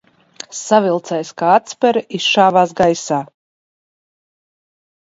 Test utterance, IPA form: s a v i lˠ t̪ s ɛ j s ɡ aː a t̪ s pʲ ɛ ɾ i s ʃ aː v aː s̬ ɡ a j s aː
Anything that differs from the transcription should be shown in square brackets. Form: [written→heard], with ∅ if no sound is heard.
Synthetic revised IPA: s a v i lˠ t̪ s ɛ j s [ɡ→k] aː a t̪ s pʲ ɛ ɾ i s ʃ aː v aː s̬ ɡ a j s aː